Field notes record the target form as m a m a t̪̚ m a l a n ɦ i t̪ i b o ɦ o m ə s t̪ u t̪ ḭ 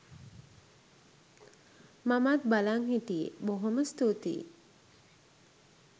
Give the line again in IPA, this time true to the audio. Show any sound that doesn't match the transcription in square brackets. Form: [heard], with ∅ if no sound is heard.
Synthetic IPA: m a m a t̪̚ [b] a l a [ŋ] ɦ i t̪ i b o ɦ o m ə s t̪ u t̪ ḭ